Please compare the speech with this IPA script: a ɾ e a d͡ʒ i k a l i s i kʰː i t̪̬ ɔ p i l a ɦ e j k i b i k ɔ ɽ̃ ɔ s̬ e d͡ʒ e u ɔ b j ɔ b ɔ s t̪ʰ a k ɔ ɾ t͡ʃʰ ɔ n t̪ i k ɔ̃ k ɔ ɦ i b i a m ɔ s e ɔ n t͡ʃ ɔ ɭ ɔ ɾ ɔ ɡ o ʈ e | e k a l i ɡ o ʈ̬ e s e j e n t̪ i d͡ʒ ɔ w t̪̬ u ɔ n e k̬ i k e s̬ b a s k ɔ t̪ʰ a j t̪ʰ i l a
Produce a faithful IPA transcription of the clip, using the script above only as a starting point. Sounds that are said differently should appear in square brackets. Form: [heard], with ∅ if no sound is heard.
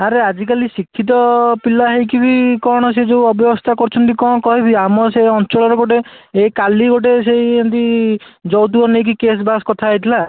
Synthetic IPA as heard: a ɾ e a d͡ʒ i k a l i s i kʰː i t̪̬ ɔ p i l a ɦ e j k i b i k ɔ ɽ̃ ɔ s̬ e d͡ʒ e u ɔ b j ɔ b ɔ s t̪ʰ a k ɔ ɾ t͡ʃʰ ɔ n t̪ i k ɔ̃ k ɔ ɦ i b i a m ɔ s e ɔ n t͡ʃ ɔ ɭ ɔ ɾ ɔ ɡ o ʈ e | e k a l i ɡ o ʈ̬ e s e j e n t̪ i d͡ʒ ɔ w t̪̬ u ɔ n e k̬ i k e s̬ b a s k ɔ t̪ʰ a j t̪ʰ i l a